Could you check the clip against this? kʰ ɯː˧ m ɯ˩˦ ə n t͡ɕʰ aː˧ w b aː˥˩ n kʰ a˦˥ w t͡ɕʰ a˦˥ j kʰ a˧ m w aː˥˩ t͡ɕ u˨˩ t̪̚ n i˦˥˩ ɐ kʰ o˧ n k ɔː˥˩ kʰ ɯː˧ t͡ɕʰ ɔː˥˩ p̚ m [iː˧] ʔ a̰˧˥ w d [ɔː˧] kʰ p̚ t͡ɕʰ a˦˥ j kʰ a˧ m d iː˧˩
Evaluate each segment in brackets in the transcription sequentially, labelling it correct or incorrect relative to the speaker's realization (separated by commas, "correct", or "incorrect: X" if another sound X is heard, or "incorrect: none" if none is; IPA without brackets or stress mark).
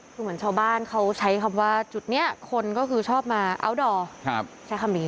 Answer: incorrect: aː˧, correct